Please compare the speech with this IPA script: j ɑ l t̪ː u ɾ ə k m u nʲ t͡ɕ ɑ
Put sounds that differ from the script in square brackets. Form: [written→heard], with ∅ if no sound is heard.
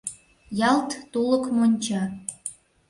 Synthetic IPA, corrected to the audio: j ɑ l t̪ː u [ɾ→l] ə k m [u→o] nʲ t͡ɕ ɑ